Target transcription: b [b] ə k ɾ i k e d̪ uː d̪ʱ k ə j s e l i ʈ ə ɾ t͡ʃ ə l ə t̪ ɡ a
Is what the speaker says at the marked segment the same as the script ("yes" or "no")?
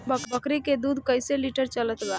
yes